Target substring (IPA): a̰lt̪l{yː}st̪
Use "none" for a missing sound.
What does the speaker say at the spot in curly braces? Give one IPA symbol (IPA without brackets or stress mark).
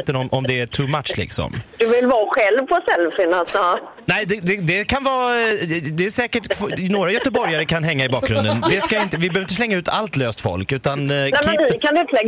øː